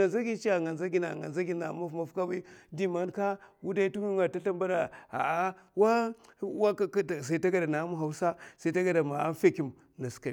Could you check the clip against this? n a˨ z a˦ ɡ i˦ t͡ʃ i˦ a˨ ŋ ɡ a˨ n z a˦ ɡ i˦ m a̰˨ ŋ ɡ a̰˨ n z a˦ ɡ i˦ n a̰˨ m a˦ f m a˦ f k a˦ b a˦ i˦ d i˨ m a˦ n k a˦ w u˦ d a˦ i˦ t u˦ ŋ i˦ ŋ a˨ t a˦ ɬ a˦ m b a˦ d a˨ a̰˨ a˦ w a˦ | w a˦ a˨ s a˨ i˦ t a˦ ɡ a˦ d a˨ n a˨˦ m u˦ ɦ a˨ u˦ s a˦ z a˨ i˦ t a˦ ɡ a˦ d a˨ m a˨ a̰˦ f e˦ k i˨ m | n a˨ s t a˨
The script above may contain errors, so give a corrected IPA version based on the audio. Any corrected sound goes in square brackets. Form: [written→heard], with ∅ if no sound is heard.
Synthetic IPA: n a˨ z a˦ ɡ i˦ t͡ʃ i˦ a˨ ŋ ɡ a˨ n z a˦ ɡ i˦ [m→n] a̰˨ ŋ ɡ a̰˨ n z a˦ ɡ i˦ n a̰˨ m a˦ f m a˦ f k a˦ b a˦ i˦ d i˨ m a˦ n k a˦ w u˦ d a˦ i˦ t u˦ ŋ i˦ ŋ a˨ t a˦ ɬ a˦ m b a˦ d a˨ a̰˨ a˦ w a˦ | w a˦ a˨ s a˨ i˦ t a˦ ɡ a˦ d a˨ n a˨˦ m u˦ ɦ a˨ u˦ s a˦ [z→s] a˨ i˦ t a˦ ɡ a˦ d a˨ m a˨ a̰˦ f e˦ k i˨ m | n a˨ s [t→k] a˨